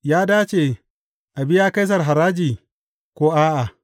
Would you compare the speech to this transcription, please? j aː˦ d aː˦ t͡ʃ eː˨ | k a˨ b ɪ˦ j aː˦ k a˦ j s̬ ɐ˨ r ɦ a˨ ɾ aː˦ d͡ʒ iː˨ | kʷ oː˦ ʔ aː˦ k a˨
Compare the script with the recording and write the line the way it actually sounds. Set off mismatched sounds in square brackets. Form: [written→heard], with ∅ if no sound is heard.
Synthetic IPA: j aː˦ d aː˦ t͡ʃ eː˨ | [k→ʔ] a˨ b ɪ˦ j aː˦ k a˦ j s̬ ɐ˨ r ɦ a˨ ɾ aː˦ d͡ʒ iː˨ | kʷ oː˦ ʔ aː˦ [k→ʔ] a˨

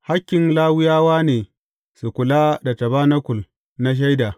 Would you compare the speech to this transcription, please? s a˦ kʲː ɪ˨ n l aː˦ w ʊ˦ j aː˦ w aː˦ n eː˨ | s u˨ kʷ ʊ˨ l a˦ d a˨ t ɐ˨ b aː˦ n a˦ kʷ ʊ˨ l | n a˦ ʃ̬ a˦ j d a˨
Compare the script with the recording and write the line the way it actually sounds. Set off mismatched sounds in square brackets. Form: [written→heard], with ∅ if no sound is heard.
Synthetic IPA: [s→h] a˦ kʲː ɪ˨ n l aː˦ w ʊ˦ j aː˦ w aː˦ n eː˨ | s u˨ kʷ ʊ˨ l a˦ d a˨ t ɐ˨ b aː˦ n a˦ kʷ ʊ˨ l | n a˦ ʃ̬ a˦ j d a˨

